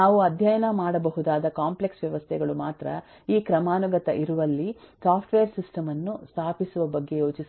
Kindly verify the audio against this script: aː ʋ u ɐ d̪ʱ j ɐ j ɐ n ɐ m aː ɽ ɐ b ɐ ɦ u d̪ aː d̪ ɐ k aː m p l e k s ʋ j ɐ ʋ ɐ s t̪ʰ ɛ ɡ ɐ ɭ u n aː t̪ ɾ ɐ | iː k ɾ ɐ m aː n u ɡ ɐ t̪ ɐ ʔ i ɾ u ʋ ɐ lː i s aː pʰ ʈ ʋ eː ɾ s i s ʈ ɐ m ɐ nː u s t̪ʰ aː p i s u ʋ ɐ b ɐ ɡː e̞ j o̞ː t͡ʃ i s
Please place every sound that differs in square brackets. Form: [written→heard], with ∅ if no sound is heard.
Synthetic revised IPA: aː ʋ u ɐ d̪ʱ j ɐ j ɐ n ɐ m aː ɽ ɐ b ɐ ɦ u d̪ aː d̪ ɐ k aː m p l e k s ʋ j ɐ ʋ ɐ s t̪ʰ ɛ ɡ ɐ ɭ u [n→m] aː t̪ ɾ ɐ | iː k ɾ ɐ m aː n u ɡ ɐ t̪ ɐ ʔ i ɾ u ʋ ɐ lː i s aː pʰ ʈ ʋ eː ɾ s i s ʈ ɐ m ɐ nː u s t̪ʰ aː p i s u ʋ ɐ b ɐ ɡː e̞ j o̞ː t͡ʃ i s